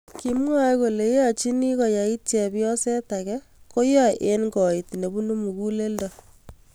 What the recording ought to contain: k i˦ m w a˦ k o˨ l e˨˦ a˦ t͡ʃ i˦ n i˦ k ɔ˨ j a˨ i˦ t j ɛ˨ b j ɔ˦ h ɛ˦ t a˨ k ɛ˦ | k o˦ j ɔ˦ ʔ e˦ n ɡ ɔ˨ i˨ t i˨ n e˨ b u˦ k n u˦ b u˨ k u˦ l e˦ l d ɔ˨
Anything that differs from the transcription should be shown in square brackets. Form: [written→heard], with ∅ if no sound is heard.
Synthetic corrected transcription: k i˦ m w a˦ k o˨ l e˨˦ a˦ t͡ʃ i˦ n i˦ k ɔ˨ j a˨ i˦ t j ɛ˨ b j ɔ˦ [h→s] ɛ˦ t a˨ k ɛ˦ | k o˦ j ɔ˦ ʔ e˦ n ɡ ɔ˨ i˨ t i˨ n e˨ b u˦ [k→∅] n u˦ [b→m] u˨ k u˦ l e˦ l d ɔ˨